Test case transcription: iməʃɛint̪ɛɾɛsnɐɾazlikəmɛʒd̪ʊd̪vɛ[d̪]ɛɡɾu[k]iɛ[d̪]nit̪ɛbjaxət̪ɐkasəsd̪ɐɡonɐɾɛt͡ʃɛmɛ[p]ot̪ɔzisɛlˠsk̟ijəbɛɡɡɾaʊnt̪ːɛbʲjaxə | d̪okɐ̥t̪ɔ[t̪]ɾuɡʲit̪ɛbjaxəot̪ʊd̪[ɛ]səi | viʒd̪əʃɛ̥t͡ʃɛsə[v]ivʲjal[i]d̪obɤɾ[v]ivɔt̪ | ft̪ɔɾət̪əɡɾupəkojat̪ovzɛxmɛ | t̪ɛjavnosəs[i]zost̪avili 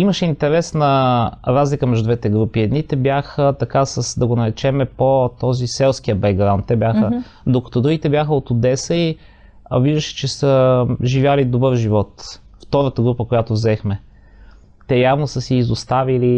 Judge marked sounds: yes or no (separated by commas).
no, no, yes, yes, no, yes, no, yes, no, no